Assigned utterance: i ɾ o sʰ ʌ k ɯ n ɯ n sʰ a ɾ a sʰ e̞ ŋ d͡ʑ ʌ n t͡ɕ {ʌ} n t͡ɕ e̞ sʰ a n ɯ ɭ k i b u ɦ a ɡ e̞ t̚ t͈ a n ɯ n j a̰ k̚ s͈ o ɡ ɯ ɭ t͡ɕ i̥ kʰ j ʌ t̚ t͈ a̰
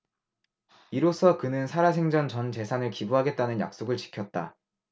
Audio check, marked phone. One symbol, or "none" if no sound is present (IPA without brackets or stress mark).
ʌ